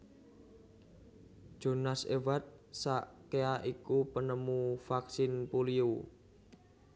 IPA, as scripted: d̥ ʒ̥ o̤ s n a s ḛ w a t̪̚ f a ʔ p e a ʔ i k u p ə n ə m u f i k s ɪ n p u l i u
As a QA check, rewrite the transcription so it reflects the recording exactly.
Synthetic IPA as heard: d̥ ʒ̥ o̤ n a s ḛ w a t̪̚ s a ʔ k e a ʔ i k u p ə n ə m u f a k s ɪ n p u l i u

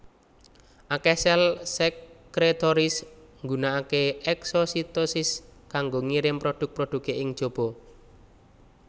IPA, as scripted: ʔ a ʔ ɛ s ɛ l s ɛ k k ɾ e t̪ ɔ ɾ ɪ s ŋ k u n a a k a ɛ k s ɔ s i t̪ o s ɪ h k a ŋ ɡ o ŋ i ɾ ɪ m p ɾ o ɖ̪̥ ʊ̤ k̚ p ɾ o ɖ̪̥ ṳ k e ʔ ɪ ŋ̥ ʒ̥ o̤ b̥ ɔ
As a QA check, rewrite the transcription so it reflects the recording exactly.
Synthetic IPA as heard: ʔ a k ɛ s ɛ l s ɛ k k ɾ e t̪ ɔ ɾ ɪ s ŋ ɡ u n a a k e ɛ k s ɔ s i t̪ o s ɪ s k a ŋ ɡ o ŋ i ɾ ɪ m p ɾ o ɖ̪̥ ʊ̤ k̚ p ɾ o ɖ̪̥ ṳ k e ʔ ɪ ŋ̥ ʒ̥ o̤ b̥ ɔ

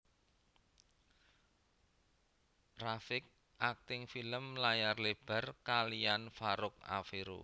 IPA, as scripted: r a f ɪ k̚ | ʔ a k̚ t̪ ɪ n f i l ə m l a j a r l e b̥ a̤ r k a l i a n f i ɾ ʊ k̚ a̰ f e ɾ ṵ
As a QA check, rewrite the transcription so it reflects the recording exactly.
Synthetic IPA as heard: r a f ɪ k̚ | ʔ a k̚ t̪ ɪ ŋ f i l ə m l a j a r l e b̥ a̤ r k a l i a n f a ɾ ʊ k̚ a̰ f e ɾ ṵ

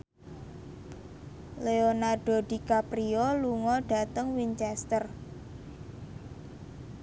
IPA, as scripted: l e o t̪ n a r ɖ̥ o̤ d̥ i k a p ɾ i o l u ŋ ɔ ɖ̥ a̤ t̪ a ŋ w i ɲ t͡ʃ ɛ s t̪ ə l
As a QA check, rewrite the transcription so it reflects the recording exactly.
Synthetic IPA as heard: l e o n a r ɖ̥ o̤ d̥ i k a p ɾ i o l u ŋ ɔ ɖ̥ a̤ t̪ ə ŋ w i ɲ t͡ʃ ɛ s t̪ ə r

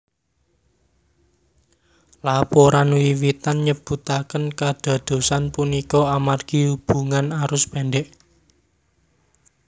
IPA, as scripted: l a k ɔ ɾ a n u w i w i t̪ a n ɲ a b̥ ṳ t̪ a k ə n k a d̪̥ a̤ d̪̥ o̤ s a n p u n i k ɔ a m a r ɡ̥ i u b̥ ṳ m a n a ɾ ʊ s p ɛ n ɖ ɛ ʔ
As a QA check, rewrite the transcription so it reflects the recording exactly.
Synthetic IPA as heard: l a p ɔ ɾ a n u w i w i t̪ a n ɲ ə b̥ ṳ t̪ a k ə n k a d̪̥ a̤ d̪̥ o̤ s a n p u n i k ɔ a m a r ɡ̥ i u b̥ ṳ ŋ a n a ɾ ʊ s p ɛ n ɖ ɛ ʔ

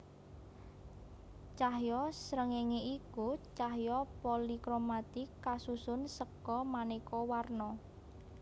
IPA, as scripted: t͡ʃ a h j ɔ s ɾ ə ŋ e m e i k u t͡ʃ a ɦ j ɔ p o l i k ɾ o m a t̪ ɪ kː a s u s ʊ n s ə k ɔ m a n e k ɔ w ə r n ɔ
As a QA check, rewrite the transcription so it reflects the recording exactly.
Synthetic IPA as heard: t͡ʃ a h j ɔ s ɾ ə ŋ e ŋ e i k u t͡ʃ a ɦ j ɔ p o l i k ɾ o m a t̪ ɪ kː a s u s ʊ n s ə k ɔ m a n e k ɔ w a r n ɔ

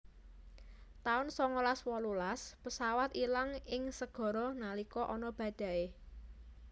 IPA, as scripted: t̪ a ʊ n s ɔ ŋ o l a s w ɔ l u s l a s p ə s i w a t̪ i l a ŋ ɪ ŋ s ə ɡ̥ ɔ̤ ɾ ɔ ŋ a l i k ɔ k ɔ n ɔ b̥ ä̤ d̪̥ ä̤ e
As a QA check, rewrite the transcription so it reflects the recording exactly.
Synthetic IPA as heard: t̪ a ʊ n s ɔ ŋ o l a s w ɔ l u l a s p ə s a w a t̪ i l a ŋ ɪ ŋ s ə ɡ̥ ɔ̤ ɾ ɔ n a l i k ɔ ʔ ɔ n ɔ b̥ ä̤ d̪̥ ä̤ e

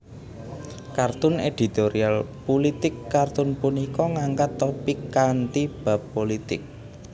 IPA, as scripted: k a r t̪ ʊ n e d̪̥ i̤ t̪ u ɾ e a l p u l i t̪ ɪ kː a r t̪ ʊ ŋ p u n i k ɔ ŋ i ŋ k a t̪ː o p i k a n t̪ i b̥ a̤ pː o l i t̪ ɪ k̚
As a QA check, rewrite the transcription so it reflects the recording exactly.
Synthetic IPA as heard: k a r t̪ ʊ n e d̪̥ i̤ t̪ o ɾ i a l p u l i t̪ ɪ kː a r t̪ ʊ n p u n i k ɔ ŋ a ŋ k a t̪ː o p i k a n t̪ i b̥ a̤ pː o l i t̪ ɪ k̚

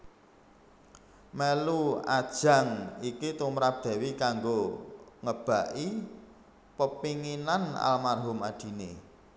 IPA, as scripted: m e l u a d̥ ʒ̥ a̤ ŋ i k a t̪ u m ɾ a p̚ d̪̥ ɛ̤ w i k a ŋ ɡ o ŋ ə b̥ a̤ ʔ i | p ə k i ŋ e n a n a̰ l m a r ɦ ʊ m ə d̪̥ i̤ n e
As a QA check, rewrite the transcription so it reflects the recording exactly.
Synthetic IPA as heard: m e l u a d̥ ʒ̥ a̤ ŋ i k i t̪ u m ɾ a p̚ d̪̥ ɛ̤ w i k a ŋ ɡ o ŋ ə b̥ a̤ ʔ i | p ə p i ŋ i n a n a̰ l m a r ɦ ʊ m a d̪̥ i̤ n e

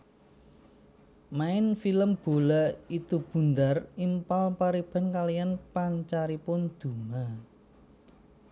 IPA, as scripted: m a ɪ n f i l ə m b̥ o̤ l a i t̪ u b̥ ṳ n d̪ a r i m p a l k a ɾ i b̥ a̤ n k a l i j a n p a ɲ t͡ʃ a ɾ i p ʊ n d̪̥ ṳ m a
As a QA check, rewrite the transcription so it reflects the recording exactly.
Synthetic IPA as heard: m a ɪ n f i l ə m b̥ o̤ l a i t̪ u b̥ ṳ n d̪ a r i m p a l p a ɾ i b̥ a̤ n k a l i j a n p a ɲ t͡ʃ a ɾ i p ʊ n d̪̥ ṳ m a

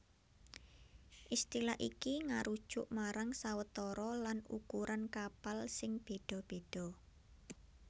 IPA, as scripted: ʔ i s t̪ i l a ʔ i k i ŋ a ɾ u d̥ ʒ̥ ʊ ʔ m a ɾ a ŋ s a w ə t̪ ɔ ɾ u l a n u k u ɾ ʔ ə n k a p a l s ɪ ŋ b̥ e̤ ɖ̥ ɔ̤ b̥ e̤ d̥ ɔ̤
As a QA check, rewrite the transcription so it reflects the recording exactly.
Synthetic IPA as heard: ʔ i s t̪ i l a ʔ i k i ŋ a ɾ u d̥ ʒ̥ ʊ ʔ m a ɾ a ŋ s a w ə t̪ ɔ ɾ ɔ l a n u k u ɾ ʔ a n k a p a l s ɪ ŋ b̥ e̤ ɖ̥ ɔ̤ b̥ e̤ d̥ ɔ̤

